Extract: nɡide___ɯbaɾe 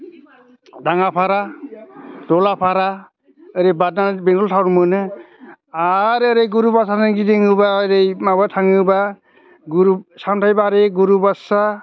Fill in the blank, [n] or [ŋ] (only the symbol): ŋ